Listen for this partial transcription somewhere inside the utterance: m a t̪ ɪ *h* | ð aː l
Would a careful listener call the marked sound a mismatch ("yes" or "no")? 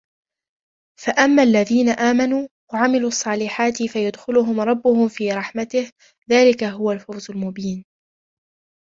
no